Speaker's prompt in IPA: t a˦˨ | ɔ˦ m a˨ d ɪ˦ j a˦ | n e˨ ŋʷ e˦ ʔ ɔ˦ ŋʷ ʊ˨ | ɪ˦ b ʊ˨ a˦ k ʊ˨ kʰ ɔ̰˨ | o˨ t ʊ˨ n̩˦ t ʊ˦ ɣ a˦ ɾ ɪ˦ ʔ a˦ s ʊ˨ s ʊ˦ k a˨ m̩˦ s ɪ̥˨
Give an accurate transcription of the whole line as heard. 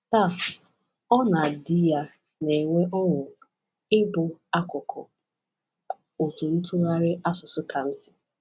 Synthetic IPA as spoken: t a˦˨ | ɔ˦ n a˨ d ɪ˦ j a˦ | n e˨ ŋʷ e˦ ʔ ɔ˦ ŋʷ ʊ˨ | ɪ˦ b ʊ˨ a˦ k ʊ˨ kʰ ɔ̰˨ | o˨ t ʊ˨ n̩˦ t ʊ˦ ɣ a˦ ɾ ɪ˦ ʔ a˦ s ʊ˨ s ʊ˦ k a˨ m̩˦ s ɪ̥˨